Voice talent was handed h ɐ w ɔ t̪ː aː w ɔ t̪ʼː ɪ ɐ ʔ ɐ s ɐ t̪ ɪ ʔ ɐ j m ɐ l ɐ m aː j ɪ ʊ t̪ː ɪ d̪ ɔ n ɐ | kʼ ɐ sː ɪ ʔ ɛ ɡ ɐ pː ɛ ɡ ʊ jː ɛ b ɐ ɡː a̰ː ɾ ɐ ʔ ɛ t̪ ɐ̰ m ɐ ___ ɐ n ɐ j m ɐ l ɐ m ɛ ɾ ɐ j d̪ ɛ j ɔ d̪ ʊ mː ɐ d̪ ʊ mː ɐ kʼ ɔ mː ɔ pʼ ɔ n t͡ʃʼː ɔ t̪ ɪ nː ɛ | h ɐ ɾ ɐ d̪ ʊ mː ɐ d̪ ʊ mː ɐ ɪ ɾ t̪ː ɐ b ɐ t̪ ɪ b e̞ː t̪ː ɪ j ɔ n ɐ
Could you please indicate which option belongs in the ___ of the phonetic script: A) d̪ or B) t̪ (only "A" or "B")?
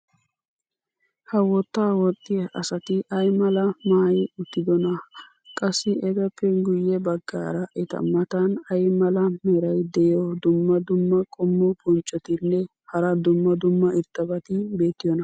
B